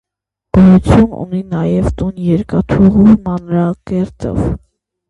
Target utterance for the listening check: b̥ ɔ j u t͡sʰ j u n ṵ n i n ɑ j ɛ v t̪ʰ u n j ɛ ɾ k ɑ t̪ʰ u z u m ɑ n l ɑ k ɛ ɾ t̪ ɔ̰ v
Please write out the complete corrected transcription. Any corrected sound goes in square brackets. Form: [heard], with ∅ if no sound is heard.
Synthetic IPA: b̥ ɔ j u t͡sʰ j u n ṵ n i n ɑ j ɛ v [t̪] u n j ɛ ɾ k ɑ t̪ʰ u [ʁ] u m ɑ n [ɾ] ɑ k ɛ ɾ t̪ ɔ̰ v